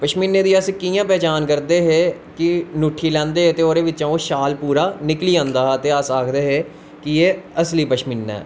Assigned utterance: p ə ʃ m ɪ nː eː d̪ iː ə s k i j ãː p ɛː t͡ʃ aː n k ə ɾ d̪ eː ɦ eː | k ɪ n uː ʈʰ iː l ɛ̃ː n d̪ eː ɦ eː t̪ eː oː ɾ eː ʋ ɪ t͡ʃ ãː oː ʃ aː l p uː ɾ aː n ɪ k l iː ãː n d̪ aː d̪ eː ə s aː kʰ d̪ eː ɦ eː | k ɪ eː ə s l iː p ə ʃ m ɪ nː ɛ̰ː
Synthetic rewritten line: p ə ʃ m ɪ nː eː d̪ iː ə s k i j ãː p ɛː t͡ʃ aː n k ə ɾ d̪ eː ɦ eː | k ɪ n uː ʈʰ iː l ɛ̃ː n d̪ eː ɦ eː t̪ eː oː ɾ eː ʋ ɪ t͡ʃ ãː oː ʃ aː l p uː ɾ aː n ɪ k l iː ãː n d̪ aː t̪ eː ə s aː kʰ d̪ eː ɦ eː | k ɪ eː ə s l iː p ə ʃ m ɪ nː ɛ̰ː